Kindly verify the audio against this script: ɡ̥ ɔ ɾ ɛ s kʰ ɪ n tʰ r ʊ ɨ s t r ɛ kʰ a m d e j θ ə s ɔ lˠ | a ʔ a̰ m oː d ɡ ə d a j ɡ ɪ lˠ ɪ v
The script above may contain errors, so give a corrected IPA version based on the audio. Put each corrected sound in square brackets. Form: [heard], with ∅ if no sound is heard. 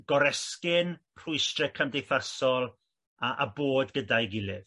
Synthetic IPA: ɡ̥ ɔ ɾ ɛ s [k] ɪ n [pʰ] r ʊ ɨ s t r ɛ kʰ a m d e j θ [a] s ɔ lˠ | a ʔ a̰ [b] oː d ɡ ə d a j ɡ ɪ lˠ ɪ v